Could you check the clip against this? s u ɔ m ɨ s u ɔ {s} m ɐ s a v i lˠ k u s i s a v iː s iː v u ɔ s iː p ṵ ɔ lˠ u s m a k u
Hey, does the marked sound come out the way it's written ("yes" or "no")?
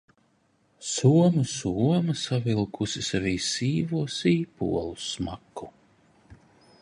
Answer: no